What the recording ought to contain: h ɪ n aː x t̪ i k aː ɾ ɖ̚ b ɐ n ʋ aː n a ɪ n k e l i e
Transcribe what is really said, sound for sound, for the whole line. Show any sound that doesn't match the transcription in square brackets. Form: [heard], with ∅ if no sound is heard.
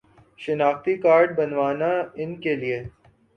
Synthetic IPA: [ʃ] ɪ n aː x t̪ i k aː ɾ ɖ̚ b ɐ n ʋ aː n a ɪ n k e l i e

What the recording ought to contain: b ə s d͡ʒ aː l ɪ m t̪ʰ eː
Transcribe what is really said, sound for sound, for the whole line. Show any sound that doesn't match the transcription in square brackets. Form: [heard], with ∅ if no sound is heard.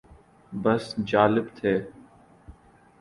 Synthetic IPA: b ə s d͡ʒ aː l ɪ [b] t̪ʰ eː

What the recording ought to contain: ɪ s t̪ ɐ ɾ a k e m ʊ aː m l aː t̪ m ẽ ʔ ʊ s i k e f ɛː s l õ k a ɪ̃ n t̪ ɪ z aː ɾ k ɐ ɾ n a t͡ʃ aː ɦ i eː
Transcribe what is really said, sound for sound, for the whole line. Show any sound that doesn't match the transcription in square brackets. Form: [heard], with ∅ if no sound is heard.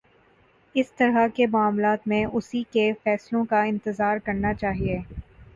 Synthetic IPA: ɪ s t̪ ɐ ɾ a k e m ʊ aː m l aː t̪ m ẽ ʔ ʊ s i k e f ɛː s l õ k a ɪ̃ n t̪ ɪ z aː ɾ k ɐ ɾ n a t͡ʃ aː ɦ i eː

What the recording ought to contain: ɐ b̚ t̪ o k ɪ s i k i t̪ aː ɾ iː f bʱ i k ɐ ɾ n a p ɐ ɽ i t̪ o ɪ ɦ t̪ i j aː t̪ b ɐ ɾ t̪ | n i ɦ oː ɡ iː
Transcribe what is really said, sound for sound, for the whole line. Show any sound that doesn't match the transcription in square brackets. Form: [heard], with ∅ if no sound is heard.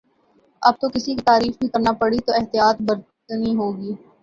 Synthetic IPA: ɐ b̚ t̪ o k ɪ s i k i t̪ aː ɾ iː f bʱ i k ɐ ɾ n a p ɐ ɽ i t̪ o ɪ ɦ t̪ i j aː t̪ b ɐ ɾ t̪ | n i ɦ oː ɡ iː

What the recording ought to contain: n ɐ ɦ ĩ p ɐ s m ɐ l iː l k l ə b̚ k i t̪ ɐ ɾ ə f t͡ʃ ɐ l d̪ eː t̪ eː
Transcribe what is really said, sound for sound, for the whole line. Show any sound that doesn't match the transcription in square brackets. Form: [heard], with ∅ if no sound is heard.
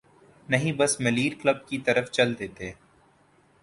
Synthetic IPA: n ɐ ɦ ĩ [b] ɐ s m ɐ l iː [ɾ] k l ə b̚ k i t̪ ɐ ɾ ə f t͡ʃ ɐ l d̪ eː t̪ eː

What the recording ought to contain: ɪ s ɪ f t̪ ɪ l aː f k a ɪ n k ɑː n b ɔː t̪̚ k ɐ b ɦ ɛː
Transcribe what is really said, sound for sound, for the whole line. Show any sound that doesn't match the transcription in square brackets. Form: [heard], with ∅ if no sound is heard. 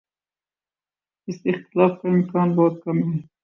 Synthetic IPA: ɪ s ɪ [x] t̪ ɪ l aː f k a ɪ [m] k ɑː n b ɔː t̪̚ k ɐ [m] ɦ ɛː

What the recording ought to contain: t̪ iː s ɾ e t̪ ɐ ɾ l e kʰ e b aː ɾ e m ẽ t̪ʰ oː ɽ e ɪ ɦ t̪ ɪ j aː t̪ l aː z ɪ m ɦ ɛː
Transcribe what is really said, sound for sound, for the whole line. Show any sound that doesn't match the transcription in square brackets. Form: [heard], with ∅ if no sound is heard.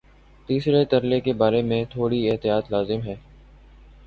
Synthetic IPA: t̪ iː s ɾ e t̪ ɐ ɾ l e [k] e b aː ɾ e m ẽ t̪ʰ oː ɽ [i] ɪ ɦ t̪ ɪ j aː t̪ l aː z ɪ m ɦ ɛː

